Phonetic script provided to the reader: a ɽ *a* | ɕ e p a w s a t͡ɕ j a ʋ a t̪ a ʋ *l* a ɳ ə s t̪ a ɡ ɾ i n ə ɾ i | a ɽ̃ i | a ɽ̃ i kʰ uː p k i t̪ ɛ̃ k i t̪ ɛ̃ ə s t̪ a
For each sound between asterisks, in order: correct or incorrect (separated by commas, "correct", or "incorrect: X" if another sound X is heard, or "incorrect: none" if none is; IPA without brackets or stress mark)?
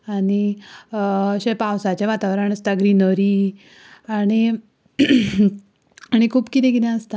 incorrect: i, incorrect: ɾ